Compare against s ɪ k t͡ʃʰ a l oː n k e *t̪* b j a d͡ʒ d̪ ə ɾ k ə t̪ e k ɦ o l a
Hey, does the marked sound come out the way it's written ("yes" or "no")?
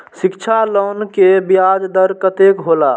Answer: no